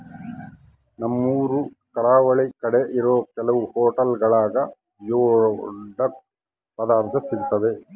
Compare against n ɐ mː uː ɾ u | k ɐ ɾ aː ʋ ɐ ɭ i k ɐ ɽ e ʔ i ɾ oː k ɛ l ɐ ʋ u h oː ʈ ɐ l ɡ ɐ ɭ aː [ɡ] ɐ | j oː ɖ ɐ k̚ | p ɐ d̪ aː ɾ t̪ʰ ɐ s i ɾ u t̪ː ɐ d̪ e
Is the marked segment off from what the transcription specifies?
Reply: no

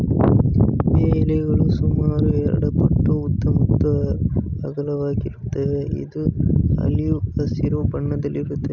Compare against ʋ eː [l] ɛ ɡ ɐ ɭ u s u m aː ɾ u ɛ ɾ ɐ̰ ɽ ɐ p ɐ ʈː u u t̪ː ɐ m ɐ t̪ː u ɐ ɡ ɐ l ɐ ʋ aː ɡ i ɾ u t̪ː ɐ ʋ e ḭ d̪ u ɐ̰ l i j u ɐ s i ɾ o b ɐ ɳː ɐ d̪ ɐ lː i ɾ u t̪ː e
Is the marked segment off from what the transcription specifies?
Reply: no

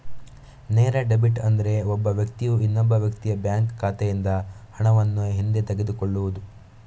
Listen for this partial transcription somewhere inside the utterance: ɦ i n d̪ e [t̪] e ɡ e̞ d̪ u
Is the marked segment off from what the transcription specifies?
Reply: no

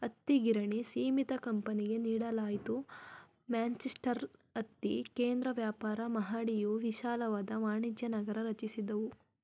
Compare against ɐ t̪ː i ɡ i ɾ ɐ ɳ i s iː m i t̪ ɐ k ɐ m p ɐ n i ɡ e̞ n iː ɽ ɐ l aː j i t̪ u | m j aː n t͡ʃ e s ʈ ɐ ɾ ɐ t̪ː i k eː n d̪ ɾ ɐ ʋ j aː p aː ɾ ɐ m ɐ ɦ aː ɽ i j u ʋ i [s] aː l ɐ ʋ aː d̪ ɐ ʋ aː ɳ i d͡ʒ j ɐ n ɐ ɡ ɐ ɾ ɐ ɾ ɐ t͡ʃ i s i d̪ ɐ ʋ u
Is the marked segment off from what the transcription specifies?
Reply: yes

